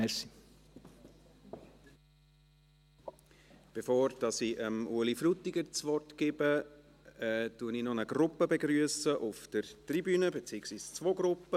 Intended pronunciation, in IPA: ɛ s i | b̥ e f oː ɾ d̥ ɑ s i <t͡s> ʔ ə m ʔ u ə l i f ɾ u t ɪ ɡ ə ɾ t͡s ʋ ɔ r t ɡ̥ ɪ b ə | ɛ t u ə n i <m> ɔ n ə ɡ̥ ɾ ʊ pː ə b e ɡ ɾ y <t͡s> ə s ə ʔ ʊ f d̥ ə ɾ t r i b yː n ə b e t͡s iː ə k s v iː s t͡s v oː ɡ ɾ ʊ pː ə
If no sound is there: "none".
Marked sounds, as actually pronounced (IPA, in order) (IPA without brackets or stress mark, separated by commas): none, n, none